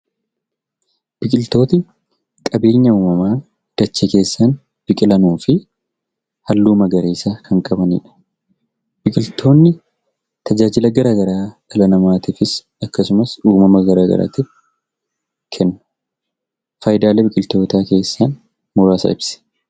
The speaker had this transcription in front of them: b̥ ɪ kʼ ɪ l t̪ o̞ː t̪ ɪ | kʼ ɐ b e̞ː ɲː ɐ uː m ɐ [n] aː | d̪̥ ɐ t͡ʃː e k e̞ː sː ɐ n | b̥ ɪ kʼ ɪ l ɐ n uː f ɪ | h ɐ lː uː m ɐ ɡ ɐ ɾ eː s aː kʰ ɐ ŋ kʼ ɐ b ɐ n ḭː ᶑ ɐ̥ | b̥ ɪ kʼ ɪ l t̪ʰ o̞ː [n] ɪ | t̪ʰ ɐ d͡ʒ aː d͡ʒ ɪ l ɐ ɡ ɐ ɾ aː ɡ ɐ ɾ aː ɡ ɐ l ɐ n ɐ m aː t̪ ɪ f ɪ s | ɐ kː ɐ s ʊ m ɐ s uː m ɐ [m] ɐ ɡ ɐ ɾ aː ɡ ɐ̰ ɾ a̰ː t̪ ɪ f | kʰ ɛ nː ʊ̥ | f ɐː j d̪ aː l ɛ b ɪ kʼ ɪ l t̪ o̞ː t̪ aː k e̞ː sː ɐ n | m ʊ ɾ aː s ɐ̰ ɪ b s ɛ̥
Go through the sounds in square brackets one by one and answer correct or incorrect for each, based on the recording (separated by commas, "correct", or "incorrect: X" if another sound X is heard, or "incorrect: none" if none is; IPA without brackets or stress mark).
incorrect: m, incorrect: nː, correct